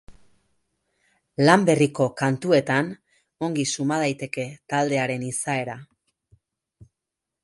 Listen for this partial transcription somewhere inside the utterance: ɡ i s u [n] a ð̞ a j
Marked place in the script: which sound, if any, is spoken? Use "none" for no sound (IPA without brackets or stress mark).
m